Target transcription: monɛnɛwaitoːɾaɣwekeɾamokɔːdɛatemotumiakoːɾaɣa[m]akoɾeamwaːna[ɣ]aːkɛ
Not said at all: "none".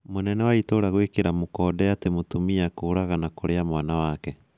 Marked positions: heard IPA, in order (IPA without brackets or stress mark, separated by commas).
n, w